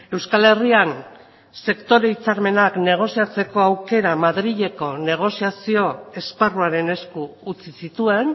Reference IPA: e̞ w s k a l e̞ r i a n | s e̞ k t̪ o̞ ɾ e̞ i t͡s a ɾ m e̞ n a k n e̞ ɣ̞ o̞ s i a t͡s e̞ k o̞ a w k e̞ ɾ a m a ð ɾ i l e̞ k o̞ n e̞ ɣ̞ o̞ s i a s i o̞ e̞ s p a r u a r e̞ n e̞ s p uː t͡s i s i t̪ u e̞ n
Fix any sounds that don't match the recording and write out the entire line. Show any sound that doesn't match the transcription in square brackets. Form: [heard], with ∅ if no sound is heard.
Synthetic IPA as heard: e̞ w s k a l e̞ r i a n | s e̞ k t̪ o̞ ɾ e̞ i t͡s a ɾ m e̞ n a k n e̞ ɣ̞ o̞ s i a t͡s e̞ k o̞ a w k e̞ ɾ a m a ð ɾ i [ʎ] e̞ k o̞ n e̞ ɣ̞ o̞ s i a s i o̞ e̞ s p a r u a [ɾ] e̞ n e̞ s [k] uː t͡s i s i t̪ u e̞ n